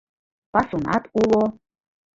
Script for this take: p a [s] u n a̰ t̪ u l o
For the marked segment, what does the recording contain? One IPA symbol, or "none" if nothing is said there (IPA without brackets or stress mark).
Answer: s